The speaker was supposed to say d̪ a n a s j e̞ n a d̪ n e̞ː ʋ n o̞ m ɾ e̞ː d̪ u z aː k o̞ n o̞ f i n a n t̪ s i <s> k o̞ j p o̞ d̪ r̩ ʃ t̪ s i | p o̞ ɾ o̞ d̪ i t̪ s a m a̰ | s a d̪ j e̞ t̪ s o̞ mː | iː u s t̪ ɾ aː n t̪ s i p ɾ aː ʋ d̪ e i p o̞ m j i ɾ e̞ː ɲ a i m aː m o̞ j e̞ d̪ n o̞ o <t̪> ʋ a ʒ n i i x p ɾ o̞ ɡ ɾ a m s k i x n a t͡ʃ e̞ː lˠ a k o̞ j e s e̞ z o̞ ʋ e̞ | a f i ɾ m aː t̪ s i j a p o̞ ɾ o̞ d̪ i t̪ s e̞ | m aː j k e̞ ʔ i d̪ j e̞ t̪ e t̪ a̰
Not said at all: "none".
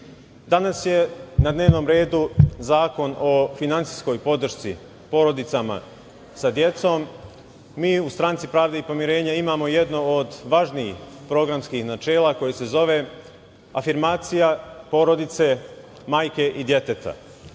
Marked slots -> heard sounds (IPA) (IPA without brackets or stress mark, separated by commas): s, d̪